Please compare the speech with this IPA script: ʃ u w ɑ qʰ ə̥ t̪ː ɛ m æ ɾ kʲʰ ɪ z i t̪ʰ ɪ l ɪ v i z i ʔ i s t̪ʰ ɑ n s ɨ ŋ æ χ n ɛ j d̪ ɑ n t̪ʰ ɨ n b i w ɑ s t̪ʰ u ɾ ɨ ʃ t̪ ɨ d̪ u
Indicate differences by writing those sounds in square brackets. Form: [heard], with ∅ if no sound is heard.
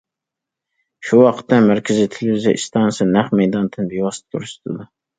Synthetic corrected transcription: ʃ u w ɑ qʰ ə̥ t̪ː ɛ m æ ɾ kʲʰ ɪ z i t̪ʰ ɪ l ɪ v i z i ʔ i s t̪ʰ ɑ n s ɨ [n] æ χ [m] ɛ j d̪ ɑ n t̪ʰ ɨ n b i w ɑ s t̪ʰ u ɾ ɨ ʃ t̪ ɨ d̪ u

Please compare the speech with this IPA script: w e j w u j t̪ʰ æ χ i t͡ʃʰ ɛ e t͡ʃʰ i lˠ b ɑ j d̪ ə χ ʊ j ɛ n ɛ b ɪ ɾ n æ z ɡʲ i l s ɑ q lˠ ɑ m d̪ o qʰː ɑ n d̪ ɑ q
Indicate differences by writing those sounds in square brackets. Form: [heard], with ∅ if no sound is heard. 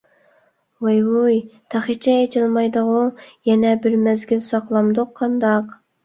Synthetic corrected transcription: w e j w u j t̪ʰ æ χ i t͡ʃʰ ɛ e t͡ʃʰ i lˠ [m] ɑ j d̪ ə [ʁ] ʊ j ɛ n ɛ b ɪ ɾ [m] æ z ɡʲ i l s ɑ q lˠ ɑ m d̪ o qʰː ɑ n d̪ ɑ q

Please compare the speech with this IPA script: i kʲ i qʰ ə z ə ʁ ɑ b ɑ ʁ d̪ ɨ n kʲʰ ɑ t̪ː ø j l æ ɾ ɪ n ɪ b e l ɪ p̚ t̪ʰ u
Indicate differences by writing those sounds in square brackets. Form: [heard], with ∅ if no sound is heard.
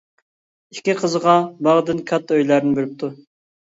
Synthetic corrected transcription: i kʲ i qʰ ə z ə ʁ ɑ b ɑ ʁ d̪ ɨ n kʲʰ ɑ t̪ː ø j l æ ɾ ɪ n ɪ b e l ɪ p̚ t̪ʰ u

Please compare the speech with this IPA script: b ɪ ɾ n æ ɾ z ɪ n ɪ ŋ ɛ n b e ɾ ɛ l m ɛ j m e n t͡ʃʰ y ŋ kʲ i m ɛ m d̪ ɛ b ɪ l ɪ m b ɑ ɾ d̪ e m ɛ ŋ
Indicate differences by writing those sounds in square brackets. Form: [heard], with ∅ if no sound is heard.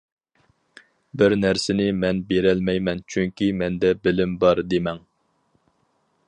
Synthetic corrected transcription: b ɪ ɾ n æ ɾ [s] ɪ n ɪ [m] ɛ n b e ɾ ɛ l m ɛ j m [ɛ] n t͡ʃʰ y ŋ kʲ i m ɛ [n] d̪ ɛ b ɪ l ɪ m b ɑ ɾ d̪ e m ɛ ŋ

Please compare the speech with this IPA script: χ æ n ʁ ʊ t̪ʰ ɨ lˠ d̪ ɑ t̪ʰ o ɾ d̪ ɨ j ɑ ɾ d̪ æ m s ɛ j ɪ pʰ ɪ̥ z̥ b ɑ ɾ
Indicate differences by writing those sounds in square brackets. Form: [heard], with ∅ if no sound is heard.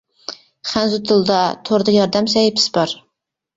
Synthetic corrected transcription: χ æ n [z] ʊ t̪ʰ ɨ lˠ d̪ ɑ t̪ʰ o ɾ d̪ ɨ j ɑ ɾ d̪ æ m s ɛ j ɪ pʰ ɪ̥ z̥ b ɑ ɾ

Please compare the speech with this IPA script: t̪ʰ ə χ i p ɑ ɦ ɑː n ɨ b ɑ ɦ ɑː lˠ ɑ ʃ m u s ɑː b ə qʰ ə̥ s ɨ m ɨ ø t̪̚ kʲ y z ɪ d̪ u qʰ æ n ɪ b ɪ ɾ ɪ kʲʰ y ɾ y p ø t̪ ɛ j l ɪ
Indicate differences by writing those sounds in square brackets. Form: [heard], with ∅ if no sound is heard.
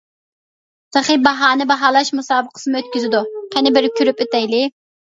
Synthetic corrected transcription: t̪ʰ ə χ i [b] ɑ ɦ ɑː n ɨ b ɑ ɦ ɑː lˠ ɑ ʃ m u s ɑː b ə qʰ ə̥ s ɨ m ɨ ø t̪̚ kʲ y z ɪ d̪ u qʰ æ n ɪ b ɪ ɾ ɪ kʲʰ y ɾ y p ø t̪ ɛ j l ɪ

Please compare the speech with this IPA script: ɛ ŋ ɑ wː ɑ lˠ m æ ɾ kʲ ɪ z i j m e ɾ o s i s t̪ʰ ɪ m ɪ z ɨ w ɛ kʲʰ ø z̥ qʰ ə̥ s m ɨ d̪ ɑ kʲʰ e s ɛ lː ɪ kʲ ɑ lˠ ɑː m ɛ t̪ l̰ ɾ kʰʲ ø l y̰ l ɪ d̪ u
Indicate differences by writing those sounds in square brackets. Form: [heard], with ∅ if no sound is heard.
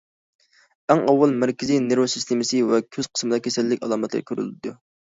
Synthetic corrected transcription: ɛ ŋ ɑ wː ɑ lˠ m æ ɾ kʲ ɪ z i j [n] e ɾ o s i s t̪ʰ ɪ m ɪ [s] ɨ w ɛ kʲʰ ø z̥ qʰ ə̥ s m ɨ d̪ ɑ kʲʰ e s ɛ lː ɪ kʲ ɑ lˠ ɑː m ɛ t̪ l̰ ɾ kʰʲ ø [ɾ] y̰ l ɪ d̪ u

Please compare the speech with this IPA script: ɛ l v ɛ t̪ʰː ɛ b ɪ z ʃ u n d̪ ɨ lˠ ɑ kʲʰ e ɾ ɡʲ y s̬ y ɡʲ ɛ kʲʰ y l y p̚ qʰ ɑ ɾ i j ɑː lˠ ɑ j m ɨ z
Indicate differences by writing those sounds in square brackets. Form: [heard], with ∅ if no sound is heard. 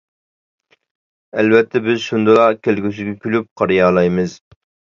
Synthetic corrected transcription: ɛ l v ɛ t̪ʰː ɛ b ɪ z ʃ u n d̪ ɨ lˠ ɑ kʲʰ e [l] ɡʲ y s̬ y ɡʲ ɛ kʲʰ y l y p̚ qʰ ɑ ɾ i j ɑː lˠ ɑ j m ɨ z

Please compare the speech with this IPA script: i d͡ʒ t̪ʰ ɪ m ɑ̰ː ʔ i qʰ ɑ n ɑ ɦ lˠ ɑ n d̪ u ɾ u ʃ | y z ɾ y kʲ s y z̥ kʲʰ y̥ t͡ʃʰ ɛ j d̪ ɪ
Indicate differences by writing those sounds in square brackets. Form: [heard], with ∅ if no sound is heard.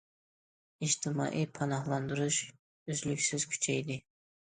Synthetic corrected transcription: i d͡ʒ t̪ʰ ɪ m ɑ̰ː ʔ i [pʰ] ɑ n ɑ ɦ lˠ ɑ n d̪ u ɾ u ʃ | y z [l] y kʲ s y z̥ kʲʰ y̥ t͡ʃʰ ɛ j d̪ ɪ

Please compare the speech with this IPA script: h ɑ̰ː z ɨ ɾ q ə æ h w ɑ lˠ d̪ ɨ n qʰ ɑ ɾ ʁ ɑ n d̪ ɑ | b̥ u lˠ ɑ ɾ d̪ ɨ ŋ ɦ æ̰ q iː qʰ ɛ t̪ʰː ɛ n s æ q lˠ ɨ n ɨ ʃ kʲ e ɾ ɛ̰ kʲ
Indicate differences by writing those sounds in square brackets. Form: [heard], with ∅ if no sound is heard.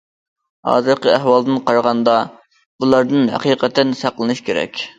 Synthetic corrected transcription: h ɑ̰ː z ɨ ɾ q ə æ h w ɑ lˠ d̪ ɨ n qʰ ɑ ɾ ʁ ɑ n d̪ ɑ | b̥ u lˠ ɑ ɾ d̪ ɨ [n] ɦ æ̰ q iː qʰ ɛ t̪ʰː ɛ n s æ q lˠ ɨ n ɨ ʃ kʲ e ɾ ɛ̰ kʲ

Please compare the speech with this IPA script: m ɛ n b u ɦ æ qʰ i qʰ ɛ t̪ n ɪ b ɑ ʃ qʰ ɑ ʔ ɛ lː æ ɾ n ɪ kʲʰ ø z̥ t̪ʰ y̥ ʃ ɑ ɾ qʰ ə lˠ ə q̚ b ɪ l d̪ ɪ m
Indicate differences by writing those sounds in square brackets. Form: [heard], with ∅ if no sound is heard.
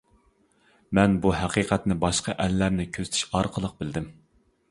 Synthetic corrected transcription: m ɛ n b u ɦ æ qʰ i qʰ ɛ t̪ n ɪ b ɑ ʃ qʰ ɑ ʔ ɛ lː æ ɾ n ɪ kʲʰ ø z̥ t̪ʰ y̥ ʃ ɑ ɾ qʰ ə lˠ ə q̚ b ɪ l d̪ ɪ m

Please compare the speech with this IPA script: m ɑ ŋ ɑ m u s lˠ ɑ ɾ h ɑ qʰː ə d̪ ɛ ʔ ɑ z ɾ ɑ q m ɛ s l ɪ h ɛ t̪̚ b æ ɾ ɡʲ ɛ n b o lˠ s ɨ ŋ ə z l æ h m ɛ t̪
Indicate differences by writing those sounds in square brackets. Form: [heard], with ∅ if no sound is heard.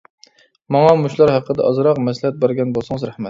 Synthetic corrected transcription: m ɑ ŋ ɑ m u [ʃ] lˠ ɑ ɾ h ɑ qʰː ə d̪ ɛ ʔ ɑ z ɾ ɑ q m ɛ s l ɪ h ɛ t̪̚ b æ ɾ ɡʲ ɛ n b o lˠ s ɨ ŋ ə z [ɾ] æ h m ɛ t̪

